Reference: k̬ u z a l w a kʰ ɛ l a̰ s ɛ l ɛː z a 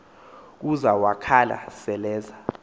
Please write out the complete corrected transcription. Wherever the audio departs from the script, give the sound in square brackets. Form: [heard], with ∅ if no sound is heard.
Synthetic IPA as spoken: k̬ u z a [∅] w a kʰ [a] l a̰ s ɛ l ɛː z a